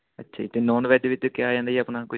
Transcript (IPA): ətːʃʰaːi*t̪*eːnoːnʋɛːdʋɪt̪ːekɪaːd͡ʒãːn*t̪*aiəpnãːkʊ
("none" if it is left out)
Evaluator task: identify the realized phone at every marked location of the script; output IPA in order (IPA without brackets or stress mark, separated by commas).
t̪, d̪